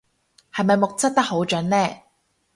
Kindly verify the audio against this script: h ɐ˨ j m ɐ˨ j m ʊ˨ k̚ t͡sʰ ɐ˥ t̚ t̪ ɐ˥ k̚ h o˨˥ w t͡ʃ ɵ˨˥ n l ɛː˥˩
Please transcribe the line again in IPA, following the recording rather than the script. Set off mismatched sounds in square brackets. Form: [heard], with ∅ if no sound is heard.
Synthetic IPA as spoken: h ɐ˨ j m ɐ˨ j m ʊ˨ k̚ [t͡s] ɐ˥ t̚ t̪ ɐ˥ k̚ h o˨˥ w t͡ʃ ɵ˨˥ n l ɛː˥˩